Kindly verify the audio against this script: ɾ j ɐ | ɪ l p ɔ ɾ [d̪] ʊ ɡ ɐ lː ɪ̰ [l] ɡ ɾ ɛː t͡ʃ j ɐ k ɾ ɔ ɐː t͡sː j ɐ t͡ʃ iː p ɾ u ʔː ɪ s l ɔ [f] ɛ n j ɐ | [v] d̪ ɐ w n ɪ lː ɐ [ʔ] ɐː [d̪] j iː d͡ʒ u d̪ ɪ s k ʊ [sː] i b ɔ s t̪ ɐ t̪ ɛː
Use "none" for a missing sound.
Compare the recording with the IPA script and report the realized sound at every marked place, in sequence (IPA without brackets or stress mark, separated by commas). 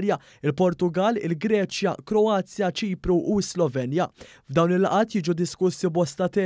t̪, l, v, v, ʔ, t̪, sː